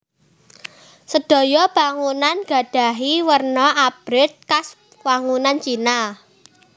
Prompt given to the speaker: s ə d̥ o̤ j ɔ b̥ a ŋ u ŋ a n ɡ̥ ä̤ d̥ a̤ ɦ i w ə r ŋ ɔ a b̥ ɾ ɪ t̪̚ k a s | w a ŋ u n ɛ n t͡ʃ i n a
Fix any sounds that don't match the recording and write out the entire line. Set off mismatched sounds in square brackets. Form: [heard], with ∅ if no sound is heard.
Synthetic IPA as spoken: s ə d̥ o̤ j ɔ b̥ a ŋ u [n] a n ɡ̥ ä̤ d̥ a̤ ɦ i w ə r [n] ɔ a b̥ ɾ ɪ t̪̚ k a s | w a ŋ u n [a] n t͡ʃ i n a